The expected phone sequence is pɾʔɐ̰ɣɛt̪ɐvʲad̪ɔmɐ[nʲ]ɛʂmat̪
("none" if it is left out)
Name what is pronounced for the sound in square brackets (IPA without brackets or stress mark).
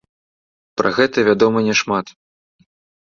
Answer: nʲ